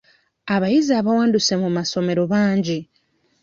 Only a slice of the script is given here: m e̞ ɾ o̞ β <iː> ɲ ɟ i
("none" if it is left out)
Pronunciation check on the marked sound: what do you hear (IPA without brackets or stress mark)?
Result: aː